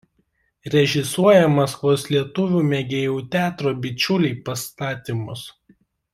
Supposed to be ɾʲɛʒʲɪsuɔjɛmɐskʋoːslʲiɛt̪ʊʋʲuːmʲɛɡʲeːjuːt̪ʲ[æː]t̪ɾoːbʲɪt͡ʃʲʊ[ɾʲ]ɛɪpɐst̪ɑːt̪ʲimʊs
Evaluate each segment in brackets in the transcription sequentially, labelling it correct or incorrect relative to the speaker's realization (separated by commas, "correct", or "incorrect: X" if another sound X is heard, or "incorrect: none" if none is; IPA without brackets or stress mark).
correct, incorrect: lʲ